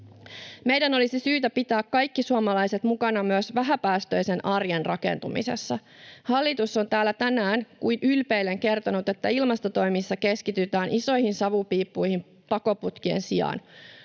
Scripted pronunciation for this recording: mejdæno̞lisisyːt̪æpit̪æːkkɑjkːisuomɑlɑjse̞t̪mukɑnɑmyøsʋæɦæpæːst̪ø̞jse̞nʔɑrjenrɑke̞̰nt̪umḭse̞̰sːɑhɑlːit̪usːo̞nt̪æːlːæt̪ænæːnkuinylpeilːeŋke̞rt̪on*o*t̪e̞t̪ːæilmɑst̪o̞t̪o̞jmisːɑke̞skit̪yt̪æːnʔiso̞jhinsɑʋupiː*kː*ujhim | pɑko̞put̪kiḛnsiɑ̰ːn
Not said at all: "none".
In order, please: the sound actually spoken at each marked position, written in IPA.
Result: u, pː

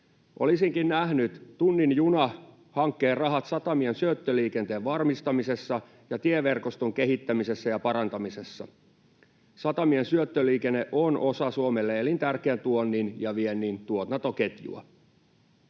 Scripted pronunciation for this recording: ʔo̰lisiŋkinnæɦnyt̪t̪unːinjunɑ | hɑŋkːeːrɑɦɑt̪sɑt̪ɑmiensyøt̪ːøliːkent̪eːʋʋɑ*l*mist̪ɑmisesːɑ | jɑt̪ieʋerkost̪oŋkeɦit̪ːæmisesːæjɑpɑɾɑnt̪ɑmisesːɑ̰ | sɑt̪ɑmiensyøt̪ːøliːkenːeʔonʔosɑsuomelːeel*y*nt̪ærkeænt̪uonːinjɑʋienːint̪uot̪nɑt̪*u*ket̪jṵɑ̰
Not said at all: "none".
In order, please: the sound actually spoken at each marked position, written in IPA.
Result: r, i, o

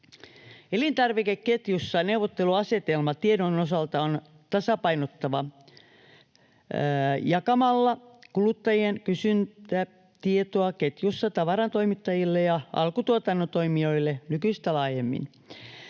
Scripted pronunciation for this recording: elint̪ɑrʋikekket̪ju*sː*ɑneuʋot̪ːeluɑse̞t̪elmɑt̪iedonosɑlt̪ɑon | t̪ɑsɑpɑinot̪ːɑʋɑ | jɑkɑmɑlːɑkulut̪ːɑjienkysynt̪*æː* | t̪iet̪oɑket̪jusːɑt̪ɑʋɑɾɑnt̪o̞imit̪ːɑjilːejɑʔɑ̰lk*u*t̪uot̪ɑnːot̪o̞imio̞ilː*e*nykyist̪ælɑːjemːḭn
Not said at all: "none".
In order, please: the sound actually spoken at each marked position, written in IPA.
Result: sː, æ, u, e

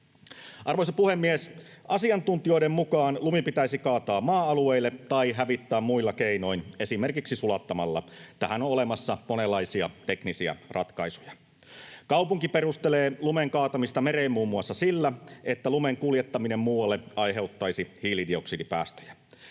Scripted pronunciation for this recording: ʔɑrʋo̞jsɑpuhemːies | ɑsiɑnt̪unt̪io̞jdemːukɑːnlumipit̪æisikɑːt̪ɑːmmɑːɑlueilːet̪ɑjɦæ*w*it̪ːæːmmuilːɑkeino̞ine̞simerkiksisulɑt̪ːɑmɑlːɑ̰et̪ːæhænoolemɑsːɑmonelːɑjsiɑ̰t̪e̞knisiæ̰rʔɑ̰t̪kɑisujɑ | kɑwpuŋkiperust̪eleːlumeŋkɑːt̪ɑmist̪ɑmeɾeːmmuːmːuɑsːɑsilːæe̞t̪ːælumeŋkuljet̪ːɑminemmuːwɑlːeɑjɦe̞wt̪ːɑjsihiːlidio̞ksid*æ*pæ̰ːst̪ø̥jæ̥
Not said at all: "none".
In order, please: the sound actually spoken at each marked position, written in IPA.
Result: ʋ, i

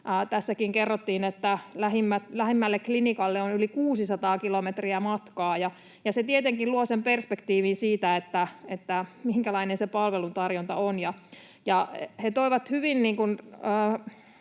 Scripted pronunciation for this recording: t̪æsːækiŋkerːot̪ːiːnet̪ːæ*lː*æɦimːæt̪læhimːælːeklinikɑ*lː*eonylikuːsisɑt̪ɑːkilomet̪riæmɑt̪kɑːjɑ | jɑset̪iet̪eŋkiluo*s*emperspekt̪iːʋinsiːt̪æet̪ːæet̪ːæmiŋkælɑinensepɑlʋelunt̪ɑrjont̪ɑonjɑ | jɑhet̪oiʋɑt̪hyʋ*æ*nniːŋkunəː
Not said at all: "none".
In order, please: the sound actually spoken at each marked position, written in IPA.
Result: l, lː, s, i

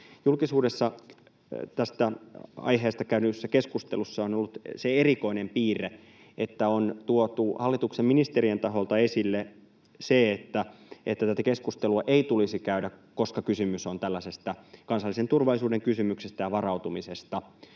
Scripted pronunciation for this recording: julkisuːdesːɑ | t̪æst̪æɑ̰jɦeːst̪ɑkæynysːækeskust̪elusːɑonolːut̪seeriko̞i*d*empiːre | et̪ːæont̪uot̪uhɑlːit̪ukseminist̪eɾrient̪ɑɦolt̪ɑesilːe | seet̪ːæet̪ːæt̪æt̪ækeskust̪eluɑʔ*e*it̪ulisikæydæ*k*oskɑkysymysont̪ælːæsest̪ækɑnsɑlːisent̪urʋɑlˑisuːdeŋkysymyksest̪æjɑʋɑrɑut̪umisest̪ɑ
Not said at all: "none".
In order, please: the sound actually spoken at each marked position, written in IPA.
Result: n, e, k

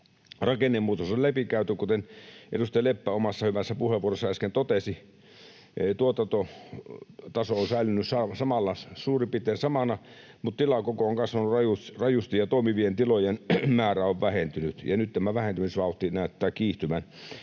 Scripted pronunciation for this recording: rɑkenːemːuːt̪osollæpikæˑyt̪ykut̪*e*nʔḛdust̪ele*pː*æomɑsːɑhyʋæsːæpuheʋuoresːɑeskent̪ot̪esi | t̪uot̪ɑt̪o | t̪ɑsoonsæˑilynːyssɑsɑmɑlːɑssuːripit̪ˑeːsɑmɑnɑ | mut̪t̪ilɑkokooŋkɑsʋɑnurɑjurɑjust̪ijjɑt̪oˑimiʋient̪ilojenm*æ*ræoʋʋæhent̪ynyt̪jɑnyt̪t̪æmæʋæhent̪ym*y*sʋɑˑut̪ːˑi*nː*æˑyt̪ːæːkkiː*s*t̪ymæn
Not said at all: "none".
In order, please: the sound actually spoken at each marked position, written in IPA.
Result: e, pː, æː, i, n, h

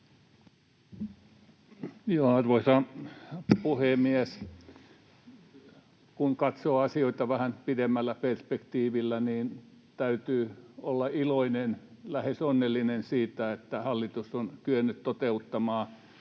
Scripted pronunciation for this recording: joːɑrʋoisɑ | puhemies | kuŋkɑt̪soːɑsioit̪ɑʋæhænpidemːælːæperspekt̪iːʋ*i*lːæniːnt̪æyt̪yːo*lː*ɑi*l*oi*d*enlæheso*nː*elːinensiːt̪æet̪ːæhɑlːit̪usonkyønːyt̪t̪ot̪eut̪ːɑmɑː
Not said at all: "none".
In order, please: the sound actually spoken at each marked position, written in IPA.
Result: i, lː, l, n, nː

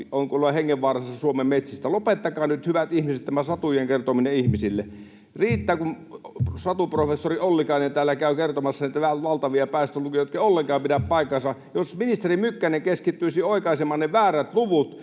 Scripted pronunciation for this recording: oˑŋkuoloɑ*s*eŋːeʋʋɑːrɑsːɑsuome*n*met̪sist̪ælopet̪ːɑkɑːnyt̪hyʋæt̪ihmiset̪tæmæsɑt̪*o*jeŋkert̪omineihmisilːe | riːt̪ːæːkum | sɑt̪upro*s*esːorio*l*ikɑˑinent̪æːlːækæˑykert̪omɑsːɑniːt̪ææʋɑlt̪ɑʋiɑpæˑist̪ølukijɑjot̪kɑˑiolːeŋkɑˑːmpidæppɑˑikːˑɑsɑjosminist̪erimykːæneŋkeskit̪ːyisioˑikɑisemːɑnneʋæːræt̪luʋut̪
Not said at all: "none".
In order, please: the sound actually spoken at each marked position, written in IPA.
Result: h, m, u, f, lː

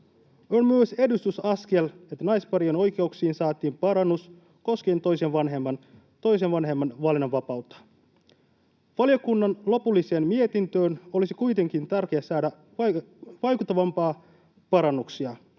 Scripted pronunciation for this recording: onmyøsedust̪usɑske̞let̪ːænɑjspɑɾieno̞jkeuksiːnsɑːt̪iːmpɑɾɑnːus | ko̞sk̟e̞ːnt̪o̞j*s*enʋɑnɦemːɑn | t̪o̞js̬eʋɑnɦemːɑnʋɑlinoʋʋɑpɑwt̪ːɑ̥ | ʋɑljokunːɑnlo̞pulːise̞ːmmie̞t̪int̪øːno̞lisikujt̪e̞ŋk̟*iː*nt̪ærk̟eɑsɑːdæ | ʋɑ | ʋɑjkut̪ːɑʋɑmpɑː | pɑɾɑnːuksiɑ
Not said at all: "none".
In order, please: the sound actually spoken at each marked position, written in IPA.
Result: s, i

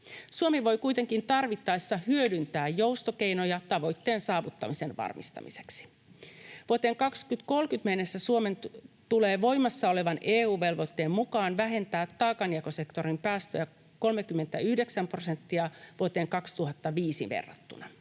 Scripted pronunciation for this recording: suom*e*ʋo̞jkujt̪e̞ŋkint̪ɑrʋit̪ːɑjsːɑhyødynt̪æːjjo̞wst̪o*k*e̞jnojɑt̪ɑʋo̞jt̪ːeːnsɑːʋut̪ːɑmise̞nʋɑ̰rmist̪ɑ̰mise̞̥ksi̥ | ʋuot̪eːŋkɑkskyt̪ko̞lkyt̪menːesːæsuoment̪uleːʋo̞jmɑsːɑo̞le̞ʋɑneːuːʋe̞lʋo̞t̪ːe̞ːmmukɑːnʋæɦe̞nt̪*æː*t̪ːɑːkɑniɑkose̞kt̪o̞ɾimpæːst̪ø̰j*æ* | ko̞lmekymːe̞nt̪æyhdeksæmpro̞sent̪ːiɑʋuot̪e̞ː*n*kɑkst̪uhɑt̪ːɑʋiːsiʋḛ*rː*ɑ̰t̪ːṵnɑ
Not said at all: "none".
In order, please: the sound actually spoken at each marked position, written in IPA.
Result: i, k, æː, æ, ŋ, rː

